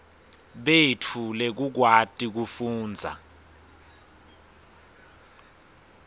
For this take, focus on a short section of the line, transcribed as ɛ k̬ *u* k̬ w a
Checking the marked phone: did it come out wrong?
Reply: no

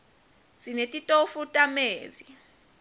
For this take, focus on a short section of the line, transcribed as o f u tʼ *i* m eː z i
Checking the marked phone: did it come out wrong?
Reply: yes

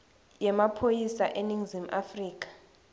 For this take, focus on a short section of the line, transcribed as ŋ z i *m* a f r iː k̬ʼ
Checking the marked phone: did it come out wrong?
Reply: no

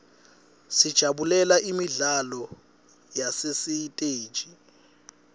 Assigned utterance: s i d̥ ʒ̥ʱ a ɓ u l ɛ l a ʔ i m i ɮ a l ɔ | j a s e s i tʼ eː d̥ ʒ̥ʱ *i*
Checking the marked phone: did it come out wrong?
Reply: no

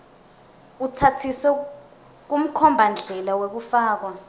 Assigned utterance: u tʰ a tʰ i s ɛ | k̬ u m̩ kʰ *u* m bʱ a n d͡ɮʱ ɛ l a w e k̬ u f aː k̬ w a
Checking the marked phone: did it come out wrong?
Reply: yes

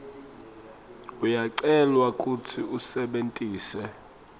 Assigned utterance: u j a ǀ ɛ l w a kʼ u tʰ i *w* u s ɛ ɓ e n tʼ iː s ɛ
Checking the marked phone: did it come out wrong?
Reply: yes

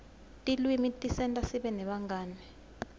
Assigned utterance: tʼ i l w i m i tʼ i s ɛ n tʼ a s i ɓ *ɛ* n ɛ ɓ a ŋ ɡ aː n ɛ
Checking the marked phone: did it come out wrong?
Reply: no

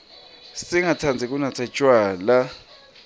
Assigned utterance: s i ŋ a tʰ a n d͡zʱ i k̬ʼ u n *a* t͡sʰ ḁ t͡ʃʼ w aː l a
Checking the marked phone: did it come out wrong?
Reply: no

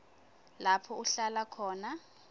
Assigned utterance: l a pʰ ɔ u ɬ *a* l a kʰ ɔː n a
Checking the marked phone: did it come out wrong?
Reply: no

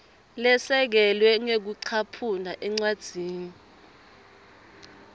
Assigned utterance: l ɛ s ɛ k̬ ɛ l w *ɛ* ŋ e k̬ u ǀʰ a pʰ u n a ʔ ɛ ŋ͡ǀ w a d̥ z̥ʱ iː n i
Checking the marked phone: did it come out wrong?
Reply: no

